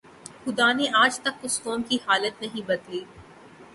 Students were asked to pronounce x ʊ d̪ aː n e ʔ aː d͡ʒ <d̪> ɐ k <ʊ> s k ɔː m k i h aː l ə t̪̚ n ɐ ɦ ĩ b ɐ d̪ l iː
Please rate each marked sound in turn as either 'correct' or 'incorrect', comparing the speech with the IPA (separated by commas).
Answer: incorrect, correct